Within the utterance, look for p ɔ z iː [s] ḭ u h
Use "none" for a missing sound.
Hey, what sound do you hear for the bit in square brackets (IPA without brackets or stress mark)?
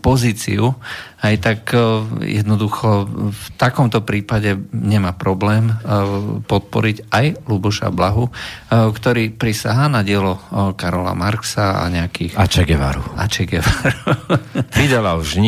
t͡s